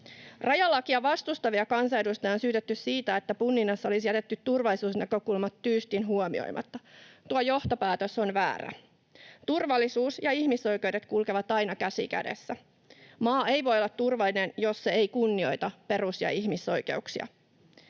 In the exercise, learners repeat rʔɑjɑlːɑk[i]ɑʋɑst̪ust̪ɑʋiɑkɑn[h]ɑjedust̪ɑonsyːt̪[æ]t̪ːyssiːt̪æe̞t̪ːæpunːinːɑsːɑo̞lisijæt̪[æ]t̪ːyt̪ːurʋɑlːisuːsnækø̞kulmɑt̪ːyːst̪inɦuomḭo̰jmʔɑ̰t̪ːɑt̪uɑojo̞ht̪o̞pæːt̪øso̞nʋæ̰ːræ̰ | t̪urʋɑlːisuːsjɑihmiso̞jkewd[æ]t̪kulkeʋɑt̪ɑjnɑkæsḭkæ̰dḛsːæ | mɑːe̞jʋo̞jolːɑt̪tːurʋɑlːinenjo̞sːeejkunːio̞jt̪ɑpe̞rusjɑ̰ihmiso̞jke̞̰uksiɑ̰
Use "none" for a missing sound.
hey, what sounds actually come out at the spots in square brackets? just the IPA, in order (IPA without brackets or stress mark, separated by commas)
i, s, e, e, e